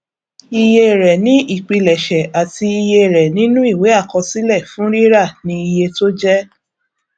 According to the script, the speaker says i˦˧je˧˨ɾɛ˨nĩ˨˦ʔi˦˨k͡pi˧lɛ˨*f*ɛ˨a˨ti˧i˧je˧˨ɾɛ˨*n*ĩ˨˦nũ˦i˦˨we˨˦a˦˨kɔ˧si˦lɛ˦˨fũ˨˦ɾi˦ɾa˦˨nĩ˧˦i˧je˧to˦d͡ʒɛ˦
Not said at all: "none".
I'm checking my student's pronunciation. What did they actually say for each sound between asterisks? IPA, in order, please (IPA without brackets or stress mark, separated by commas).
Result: ʃ, n